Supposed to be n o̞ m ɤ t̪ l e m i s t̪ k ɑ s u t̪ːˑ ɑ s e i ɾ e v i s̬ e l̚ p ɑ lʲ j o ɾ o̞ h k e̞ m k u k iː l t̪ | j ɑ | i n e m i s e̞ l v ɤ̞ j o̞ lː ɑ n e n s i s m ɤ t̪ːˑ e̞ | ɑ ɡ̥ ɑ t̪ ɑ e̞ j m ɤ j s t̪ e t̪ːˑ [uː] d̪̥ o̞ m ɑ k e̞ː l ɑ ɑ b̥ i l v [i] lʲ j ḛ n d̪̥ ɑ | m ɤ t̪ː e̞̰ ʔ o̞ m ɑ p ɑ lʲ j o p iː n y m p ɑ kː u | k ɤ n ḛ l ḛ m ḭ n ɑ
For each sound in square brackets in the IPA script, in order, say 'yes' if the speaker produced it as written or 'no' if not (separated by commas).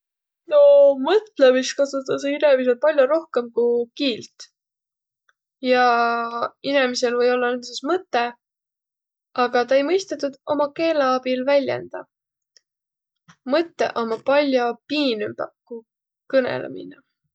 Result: no, no